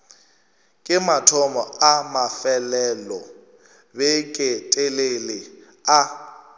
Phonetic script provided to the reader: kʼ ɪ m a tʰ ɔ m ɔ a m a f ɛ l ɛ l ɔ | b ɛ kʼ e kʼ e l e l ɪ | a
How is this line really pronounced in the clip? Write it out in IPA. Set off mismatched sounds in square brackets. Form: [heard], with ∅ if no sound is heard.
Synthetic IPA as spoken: kʼ ɪ m a tʰ ɔ m ɔ a m a f ɛ l ɛ l ɔ | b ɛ kʼ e [tʼ] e l e l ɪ | a